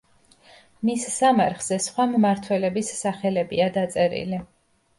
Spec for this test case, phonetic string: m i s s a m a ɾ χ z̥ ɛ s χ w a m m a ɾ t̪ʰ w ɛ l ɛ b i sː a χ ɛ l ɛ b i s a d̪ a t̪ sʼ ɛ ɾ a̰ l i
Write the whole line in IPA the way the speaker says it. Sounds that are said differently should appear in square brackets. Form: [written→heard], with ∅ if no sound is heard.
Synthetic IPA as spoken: m i s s a m a ɾ χ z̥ ɛ s χ w a m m a ɾ t̪ʰ w ɛ l ɛ b i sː a χ ɛ l ɛ b i [s→∅] a d̪ a t̪ sʼ ɛ ɾ [a̰→ḭ] l i

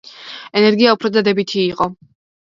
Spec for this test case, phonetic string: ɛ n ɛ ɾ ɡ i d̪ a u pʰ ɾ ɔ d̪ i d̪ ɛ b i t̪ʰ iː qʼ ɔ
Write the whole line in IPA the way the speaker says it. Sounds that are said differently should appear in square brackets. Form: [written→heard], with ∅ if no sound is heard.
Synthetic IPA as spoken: ɛ n ɛ ɾ ɡ i [d̪→∅] a u pʰ ɾ ɔ d̪ [i→a] d̪ ɛ b i t̪ʰ iː qʼ ɔ

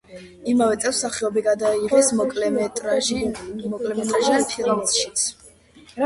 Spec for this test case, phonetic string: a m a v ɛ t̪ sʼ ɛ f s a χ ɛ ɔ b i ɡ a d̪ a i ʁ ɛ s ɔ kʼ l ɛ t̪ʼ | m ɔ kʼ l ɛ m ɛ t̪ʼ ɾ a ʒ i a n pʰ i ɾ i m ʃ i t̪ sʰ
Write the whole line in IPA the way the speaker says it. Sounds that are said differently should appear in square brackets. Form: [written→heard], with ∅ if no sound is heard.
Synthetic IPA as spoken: [a→i] m a v ɛ t̪ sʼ ɛ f s a χ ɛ ɔ b i ɡ a d̪ a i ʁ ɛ s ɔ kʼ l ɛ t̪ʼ | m ɔ kʼ l ɛ m ɛ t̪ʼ ɾ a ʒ i a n pʰ i ɾ [i→a] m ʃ i t̪ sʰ

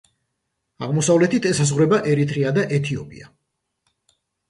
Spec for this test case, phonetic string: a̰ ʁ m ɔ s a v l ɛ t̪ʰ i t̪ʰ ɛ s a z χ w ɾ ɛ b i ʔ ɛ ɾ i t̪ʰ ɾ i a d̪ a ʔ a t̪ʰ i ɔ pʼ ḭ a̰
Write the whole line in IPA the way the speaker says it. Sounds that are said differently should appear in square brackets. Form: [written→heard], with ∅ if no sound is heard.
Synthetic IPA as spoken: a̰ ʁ m ɔ s a v l ɛ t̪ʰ i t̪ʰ ɛ s a z [χ→ʁ] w ɾ ɛ b [i→a] ʔ ɛ ɾ i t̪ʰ ɾ i a d̪ a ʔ [a→ɛ] t̪ʰ i ɔ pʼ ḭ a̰

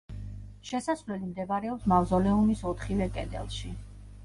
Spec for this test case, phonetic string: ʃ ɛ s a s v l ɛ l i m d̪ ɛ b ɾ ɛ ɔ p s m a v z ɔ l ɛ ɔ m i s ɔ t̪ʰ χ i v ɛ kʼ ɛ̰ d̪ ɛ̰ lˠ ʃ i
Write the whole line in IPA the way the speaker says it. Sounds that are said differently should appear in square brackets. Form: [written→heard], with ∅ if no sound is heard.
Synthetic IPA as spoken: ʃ ɛ s a s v l ɛ l i m d̪ ɛ b ɾ ɛ ɔ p s m a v z ɔ l ɛ [ɔ→u] m i s ɔ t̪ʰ χ i v ɛ kʼ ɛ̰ d̪ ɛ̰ lˠ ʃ i

